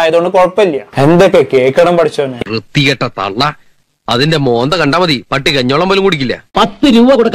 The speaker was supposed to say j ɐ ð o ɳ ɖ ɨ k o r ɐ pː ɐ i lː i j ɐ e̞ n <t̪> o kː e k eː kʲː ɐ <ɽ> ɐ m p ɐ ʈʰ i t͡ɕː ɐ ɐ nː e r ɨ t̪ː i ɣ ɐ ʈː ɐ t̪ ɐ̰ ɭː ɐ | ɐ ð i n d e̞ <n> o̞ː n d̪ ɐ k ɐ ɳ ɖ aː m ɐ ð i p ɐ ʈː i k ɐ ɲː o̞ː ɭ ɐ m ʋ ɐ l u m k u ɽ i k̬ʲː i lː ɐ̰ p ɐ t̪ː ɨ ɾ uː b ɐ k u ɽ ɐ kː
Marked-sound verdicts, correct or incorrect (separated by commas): incorrect, correct, incorrect